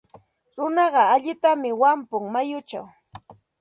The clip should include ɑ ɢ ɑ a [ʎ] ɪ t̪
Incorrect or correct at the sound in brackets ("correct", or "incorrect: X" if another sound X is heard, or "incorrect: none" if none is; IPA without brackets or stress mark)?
correct